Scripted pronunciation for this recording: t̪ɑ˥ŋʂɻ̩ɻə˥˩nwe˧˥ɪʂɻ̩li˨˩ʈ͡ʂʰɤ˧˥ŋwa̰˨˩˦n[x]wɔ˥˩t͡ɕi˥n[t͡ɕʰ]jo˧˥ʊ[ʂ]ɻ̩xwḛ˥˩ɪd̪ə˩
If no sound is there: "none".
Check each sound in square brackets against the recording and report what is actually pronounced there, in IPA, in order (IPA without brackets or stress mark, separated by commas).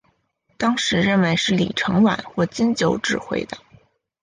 x, t͡ɕ, ʈ͡ʂ